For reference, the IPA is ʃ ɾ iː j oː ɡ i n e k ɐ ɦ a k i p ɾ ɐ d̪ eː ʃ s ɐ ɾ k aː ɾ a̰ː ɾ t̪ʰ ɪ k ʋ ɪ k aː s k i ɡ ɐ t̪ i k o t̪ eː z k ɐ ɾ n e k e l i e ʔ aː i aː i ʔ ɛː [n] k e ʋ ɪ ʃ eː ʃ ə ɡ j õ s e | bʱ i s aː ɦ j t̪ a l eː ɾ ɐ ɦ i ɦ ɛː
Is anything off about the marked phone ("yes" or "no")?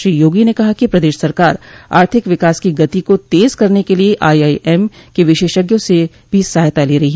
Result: yes